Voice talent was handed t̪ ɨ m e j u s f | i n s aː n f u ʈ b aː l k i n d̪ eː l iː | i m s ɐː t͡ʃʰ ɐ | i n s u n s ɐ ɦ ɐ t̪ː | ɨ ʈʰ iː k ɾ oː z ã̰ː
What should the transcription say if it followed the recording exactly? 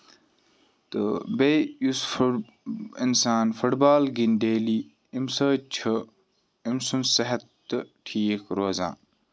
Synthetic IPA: t̪ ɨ b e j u s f | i n s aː n f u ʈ b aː l ɡ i n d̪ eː l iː | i m s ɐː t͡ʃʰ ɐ | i m s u n s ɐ ɦ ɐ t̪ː | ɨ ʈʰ iː k ɾ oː z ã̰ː

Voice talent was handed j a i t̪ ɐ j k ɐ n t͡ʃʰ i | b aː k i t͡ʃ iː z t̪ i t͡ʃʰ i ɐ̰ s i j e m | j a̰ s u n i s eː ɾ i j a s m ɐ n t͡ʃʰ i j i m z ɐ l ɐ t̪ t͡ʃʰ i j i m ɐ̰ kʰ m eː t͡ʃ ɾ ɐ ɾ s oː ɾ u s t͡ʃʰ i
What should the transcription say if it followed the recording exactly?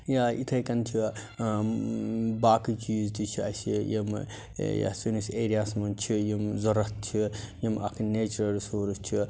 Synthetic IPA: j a i t̪ʰ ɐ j k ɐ n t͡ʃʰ i | b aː k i t͡ʃ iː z t̪ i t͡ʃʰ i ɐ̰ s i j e m | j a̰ s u n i s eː ɾ i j a s m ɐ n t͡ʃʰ i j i m z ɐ ɾ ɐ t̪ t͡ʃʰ i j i m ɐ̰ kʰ n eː t͡ʃ ɾ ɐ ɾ s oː ɾ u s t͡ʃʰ i

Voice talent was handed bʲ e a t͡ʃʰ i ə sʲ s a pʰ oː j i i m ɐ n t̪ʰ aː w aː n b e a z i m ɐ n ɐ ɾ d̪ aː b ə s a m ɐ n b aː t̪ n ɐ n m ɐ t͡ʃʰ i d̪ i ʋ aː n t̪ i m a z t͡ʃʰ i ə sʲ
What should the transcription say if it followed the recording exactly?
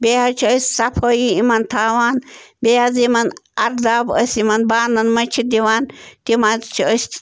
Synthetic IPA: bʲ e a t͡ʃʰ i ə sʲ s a pʰ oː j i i m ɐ n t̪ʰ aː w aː n b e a z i m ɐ n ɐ ɾ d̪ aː b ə s i m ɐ n b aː n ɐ n m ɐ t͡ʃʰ i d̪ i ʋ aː n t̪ i m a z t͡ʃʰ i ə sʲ

